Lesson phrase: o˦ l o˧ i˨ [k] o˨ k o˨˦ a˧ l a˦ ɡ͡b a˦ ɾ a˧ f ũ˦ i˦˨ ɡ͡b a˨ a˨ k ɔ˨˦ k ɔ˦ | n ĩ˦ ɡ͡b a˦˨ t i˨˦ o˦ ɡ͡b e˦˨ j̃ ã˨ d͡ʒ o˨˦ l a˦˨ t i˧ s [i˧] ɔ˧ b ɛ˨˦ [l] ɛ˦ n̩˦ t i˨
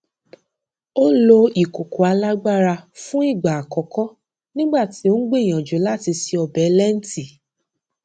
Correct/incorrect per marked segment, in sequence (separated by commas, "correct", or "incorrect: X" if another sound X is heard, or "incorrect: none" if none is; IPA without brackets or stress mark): correct, correct, correct